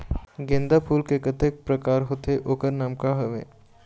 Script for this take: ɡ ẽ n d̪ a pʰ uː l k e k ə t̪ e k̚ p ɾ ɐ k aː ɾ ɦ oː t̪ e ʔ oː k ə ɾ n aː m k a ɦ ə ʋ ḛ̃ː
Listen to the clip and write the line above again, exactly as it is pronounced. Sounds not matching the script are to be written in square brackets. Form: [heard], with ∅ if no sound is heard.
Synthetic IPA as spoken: ɡ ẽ n d̪ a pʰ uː l k e k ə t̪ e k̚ p ɾ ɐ k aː ɾ ɦ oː t̪ e ʔ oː k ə ɾ n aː m k a ɦ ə ʋ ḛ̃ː